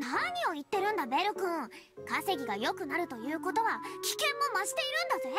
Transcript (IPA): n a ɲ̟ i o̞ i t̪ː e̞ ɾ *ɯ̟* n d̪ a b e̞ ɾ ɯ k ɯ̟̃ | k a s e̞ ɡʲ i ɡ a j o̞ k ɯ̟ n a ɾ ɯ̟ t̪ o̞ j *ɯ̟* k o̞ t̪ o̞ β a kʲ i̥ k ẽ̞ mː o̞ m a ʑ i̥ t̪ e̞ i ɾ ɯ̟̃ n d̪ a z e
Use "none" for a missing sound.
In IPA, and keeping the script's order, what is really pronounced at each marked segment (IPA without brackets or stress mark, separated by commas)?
ɯ̟̃, ɯ̟ː